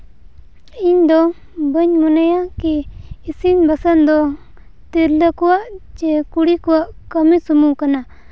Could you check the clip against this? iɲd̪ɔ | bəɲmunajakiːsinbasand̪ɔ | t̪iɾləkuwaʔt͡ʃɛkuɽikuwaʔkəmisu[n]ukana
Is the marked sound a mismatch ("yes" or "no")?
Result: yes